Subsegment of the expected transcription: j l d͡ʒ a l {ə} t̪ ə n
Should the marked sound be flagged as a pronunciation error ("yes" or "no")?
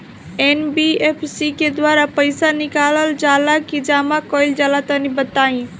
yes